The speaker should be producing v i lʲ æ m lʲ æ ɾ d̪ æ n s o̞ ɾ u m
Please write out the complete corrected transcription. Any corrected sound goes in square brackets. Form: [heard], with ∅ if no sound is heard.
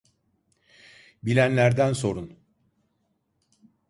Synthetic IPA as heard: [b] i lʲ æ [n] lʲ æ ɾ d̪ æ n s o̞ ɾ u [n]